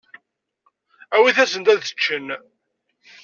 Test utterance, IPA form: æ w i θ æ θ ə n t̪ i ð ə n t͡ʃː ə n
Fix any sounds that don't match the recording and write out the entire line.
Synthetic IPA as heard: æ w i θ æ s ə n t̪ æ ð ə t͡ʃː ə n